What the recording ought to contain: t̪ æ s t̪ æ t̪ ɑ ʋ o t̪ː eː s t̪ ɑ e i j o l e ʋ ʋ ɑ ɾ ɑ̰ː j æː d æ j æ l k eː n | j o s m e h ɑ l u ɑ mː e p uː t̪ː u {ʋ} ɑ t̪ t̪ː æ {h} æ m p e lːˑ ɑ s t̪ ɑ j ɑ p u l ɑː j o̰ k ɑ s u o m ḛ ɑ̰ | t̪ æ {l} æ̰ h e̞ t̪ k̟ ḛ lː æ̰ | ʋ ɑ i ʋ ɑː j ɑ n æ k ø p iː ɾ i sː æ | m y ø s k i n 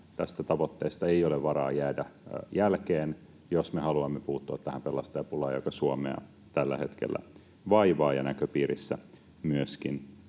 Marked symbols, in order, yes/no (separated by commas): no, yes, no